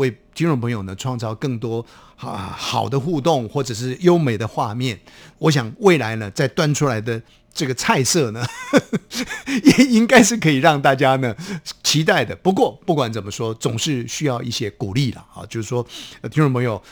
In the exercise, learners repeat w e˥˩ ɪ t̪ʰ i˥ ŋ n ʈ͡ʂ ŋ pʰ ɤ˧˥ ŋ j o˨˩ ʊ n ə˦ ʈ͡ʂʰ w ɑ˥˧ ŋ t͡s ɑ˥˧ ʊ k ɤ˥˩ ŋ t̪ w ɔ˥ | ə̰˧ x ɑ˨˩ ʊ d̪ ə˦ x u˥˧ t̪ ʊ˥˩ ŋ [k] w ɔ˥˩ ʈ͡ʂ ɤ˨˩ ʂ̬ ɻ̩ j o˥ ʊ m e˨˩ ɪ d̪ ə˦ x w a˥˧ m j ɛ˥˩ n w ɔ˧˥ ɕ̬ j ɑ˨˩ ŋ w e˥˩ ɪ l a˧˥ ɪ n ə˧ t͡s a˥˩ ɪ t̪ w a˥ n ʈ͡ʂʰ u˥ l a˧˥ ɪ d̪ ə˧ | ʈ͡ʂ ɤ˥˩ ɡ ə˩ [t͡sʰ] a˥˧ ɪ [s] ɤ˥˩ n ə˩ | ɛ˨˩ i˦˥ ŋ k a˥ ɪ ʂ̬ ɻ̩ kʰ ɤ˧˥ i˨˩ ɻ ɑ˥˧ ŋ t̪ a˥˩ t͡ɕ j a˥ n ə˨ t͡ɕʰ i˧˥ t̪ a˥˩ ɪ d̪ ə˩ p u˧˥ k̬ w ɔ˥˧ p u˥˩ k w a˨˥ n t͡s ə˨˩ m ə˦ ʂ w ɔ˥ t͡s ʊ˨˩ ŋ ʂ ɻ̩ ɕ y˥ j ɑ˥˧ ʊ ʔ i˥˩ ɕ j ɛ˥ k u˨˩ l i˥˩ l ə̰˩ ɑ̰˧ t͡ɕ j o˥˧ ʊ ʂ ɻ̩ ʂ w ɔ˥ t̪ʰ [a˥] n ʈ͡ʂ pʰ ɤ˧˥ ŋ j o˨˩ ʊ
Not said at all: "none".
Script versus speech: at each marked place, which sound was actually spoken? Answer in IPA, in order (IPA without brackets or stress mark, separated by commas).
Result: x, t͡sʰ, s, i˥